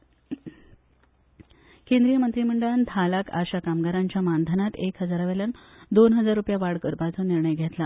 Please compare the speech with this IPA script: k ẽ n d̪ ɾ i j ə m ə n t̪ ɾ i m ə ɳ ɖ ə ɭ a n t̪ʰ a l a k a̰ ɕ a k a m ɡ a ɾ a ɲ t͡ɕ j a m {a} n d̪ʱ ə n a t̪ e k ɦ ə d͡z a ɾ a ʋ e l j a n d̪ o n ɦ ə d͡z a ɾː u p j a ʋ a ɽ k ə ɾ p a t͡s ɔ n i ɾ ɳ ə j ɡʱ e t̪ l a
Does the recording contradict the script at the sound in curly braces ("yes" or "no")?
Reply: no